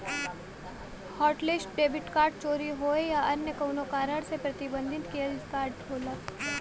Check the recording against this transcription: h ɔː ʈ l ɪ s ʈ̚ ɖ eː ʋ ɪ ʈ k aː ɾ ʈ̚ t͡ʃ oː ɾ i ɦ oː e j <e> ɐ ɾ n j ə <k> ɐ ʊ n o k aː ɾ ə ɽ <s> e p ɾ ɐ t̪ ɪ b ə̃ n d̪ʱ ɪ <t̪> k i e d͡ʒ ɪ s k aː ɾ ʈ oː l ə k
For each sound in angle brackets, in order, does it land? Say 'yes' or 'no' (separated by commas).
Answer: no, yes, yes, yes